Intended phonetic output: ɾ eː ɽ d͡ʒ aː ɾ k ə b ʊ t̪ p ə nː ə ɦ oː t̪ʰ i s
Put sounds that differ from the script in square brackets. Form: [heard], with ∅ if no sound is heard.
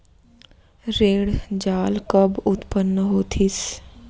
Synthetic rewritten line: ɾ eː ɽ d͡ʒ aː [l] k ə b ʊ t̪ p ə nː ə ɦ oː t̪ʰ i s